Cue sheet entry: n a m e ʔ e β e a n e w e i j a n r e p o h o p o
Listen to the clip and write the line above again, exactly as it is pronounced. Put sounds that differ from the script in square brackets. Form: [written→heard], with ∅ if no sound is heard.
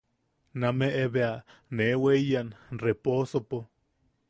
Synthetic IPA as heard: n a m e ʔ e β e a n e w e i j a n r e p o [h→s] o p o